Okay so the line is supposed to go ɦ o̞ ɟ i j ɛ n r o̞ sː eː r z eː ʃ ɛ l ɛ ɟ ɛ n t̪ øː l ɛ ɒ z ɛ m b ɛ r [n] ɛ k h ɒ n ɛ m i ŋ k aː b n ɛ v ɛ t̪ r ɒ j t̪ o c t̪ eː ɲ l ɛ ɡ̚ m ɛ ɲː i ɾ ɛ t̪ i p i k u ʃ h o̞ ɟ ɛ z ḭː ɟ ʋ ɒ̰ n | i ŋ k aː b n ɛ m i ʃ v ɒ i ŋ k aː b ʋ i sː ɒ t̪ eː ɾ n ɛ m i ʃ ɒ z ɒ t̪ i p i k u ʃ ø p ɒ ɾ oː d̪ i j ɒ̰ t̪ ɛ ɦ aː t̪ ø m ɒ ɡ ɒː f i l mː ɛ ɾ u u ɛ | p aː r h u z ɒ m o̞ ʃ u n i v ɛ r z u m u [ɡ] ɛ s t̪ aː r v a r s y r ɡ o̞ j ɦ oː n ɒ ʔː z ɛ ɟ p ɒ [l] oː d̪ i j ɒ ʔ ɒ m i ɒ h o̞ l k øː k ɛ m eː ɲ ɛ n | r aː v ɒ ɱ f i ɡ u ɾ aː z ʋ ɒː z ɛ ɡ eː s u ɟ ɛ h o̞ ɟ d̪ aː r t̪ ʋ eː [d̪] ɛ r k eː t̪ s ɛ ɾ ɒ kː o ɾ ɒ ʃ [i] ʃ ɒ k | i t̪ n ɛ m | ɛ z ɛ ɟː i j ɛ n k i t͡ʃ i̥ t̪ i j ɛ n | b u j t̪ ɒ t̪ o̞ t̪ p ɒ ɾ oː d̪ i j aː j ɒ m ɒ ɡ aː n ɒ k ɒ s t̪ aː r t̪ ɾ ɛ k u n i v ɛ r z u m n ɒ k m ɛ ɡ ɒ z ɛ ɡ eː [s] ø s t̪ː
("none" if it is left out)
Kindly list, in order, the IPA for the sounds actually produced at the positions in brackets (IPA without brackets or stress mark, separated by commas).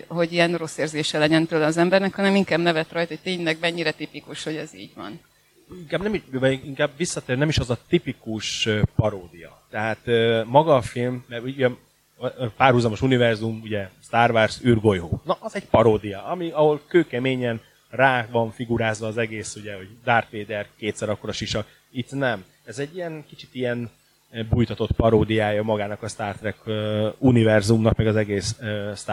n, ɟ, ɾ, d̪, i, s